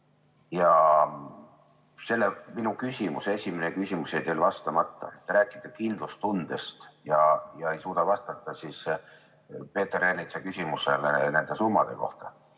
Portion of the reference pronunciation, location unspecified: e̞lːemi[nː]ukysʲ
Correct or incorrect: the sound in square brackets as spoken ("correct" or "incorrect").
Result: incorrect